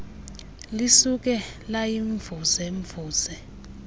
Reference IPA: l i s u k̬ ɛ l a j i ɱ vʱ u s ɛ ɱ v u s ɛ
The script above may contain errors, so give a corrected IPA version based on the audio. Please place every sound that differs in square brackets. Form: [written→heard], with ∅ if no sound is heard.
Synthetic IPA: l i s u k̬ ɛ l a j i ɱ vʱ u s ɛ ɱ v [u→uː] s ɛ